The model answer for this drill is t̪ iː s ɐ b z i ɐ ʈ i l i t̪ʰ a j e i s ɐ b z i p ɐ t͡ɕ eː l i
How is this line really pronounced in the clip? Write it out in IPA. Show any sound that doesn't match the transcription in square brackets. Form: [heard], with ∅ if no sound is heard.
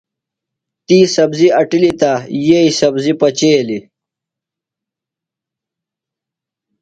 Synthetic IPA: t̪ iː s ɐ b z i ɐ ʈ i l i [t̪] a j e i s ɐ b z i p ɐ t͡ɕ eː l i